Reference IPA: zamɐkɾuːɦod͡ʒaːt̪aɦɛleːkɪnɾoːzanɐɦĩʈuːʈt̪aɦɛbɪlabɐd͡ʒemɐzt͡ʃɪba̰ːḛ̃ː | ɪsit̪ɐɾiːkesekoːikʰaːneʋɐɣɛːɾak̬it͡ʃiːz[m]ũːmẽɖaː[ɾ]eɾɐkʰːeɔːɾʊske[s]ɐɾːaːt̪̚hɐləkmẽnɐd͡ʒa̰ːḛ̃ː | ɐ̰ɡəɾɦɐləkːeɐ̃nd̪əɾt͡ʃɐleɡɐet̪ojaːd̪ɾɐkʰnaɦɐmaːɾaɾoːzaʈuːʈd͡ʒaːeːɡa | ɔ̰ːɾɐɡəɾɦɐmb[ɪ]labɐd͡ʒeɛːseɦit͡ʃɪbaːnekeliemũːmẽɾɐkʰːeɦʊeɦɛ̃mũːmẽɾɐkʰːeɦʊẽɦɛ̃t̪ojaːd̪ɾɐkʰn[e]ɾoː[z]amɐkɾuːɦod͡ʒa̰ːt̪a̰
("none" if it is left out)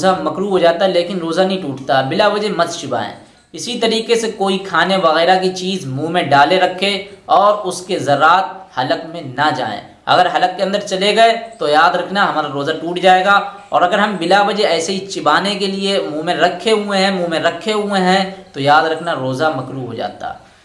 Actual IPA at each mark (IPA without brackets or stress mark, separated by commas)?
m, l, z, ɪ, a, z